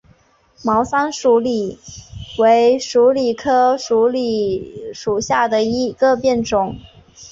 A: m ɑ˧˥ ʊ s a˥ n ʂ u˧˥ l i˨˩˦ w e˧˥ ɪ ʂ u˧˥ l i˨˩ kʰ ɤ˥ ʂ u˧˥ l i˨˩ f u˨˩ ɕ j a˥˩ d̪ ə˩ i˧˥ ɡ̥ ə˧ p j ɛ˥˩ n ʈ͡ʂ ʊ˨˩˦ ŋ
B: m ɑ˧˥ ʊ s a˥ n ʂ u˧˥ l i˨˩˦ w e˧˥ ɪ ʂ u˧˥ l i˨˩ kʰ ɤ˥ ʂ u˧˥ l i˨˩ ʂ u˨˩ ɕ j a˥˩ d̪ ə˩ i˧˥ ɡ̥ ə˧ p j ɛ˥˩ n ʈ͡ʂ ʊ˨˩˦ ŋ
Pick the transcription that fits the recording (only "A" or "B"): B